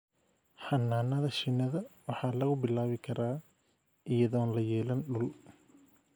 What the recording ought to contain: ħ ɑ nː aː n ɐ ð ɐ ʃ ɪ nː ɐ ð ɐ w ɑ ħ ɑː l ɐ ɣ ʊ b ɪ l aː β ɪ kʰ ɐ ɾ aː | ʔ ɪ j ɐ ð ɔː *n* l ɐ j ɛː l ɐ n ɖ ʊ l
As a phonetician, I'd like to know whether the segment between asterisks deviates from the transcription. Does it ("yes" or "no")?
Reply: no